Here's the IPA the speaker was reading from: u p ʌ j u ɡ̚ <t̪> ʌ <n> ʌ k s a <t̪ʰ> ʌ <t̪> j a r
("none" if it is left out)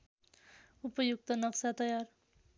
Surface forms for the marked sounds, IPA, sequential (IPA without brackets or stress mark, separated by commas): t̪, n, t̪, none